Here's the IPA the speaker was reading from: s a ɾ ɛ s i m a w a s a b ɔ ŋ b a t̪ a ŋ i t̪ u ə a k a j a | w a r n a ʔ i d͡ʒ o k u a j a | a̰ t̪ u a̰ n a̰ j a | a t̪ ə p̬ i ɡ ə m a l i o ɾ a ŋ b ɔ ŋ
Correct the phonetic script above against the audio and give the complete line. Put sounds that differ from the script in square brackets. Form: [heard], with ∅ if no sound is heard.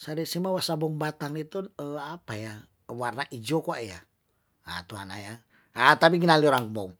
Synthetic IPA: s a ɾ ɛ s i m a w a s a b ɔ ŋ b a t̪ a ŋ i t̪ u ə a [p] a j a | w a r n a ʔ i d͡ʒ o k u a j a | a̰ t̪ u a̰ n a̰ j a | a t̪ [a] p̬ i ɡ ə [n] a l i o ɾ a ŋ b ɔ ŋ